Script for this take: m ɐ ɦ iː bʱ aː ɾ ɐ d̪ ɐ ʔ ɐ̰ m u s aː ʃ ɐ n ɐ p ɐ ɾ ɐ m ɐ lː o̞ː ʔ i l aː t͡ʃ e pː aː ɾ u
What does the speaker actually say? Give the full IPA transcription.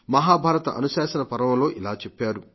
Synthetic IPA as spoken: m ɐ ɦ aː bʱ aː ɾ ɐ t̪ ɐ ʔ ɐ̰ n u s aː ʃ ɐ n ɐ p ɐ ɾ ɐ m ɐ l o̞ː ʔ i l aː t͡ʃ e pː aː ɾ u